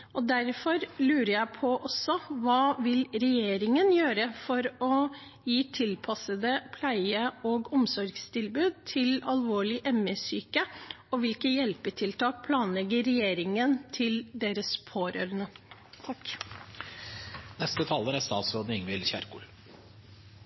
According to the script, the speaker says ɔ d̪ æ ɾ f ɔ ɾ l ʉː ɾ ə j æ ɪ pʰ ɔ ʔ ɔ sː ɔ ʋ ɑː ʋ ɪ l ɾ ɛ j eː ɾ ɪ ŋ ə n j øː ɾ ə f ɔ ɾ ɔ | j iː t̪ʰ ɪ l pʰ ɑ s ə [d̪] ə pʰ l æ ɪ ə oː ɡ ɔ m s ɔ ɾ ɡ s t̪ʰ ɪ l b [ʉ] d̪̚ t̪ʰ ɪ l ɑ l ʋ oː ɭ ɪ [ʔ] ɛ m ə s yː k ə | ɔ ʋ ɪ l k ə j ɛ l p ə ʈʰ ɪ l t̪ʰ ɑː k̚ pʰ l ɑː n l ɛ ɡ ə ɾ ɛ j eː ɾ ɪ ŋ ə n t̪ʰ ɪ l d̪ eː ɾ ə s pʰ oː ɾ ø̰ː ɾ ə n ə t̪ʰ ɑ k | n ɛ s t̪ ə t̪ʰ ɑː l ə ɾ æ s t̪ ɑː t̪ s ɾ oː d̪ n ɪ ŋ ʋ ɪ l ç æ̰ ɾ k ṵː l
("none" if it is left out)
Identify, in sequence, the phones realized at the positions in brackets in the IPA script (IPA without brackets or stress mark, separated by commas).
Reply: d̪, ʉː, ʔ